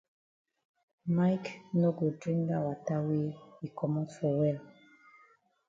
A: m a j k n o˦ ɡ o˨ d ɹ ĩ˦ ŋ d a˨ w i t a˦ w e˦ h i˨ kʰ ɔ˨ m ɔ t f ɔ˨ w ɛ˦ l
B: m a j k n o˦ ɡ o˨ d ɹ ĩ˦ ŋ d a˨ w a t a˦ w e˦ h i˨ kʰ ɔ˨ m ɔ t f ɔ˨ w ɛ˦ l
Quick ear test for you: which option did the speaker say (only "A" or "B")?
B